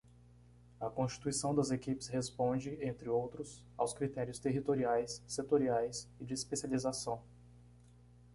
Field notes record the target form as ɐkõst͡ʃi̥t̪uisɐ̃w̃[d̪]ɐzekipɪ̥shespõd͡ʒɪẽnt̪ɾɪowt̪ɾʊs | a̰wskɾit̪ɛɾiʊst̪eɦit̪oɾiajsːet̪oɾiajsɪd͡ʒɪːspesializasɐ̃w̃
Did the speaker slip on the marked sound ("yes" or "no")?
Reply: no